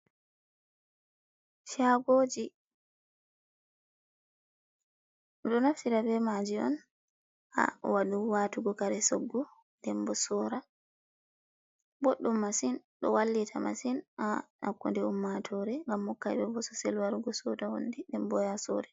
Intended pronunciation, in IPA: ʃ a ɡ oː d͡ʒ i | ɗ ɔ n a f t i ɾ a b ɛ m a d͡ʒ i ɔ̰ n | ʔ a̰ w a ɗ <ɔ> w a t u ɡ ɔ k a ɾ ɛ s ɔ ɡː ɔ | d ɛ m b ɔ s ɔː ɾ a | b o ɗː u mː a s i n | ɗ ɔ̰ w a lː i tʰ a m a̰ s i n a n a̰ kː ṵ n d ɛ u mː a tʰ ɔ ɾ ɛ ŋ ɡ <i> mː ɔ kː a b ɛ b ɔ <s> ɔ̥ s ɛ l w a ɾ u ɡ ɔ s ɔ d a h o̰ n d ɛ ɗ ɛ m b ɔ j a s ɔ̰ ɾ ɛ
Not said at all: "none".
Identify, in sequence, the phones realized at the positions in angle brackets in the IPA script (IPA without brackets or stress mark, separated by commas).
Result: u, a, s